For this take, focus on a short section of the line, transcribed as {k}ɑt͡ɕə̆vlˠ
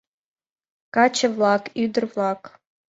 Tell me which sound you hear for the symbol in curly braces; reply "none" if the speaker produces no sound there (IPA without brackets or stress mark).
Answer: k